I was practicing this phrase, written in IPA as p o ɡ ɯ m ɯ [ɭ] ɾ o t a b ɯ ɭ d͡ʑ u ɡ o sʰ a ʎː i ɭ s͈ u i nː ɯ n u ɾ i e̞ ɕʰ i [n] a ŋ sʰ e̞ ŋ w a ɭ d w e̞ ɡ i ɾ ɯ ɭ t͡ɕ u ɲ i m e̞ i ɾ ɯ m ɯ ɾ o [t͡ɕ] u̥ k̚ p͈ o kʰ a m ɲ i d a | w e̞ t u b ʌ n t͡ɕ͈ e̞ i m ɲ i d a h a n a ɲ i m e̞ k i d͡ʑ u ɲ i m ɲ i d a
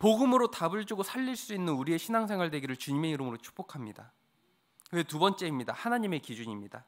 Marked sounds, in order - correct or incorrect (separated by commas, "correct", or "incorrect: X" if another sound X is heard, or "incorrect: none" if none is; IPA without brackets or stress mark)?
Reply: incorrect: none, correct, incorrect: t͡ɕʰ